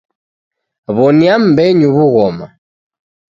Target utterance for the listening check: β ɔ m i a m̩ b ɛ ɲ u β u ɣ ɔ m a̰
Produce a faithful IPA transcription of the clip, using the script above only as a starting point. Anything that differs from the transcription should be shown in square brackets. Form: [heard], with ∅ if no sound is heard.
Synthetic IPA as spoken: β ɔ [n] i a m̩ b ɛ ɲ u β u ɣ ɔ m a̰